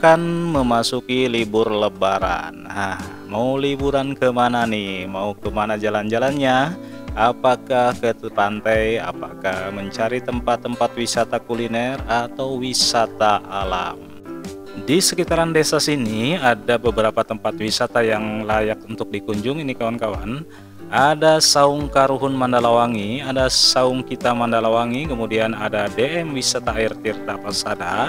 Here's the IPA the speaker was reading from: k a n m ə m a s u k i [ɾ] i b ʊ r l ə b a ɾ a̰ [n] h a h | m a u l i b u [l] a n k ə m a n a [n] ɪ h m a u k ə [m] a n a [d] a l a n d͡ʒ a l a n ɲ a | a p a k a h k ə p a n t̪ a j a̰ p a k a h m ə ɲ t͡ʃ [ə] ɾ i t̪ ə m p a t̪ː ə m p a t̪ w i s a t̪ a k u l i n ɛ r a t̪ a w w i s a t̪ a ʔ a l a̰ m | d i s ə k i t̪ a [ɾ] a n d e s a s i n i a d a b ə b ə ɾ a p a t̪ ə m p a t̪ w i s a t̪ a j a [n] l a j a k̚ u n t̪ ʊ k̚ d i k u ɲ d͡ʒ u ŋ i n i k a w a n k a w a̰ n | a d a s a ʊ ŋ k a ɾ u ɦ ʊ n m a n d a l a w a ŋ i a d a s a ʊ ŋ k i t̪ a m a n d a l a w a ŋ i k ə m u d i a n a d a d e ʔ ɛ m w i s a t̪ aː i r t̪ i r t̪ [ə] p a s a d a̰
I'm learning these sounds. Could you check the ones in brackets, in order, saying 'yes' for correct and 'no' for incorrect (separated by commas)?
no, yes, no, yes, yes, no, no, yes, no, no